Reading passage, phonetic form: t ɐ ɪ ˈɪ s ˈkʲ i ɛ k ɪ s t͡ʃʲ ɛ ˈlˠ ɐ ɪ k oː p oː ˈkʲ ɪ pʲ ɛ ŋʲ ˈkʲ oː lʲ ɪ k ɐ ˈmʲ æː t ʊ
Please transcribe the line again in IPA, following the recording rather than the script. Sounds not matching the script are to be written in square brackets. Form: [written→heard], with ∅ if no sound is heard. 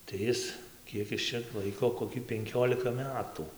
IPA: t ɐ ɪ ˈɪ s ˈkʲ i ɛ k ɪ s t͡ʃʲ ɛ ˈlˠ ɐ ɪ k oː [p→k] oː ˈkʲ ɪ pʲ ɛ ŋʲ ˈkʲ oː lʲ ɪ k ɐ ˈmʲ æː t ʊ